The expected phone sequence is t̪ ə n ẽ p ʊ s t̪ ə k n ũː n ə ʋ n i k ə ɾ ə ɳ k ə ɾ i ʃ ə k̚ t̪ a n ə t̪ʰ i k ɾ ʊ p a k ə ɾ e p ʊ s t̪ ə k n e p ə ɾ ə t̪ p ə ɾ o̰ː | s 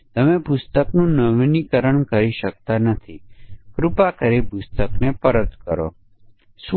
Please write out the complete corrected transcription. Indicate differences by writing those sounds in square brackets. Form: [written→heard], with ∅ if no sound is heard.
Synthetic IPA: t̪ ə [n→m] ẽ p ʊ s t̪ ə k n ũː n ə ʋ n i k ə ɾ ə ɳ k ə ɾ i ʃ ə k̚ t̪ a n ə t̪ʰ i k ɾ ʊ p a k ə ɾ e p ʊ s t̪ ə k n e p ə ɾ ə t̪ [p→k] ə ɾ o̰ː | s